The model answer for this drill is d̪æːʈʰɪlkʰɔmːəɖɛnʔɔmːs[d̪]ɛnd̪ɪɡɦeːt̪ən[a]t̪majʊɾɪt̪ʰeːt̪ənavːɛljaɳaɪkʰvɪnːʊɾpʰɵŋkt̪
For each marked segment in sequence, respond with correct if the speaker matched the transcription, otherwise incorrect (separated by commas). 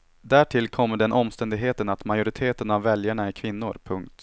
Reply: incorrect, correct